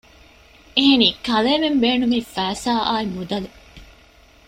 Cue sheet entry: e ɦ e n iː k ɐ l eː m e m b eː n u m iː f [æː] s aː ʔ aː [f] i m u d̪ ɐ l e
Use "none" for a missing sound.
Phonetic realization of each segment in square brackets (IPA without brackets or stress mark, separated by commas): æː, none